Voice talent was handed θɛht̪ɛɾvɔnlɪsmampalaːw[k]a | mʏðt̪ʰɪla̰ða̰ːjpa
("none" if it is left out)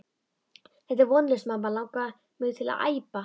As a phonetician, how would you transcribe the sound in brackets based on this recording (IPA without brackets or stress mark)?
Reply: k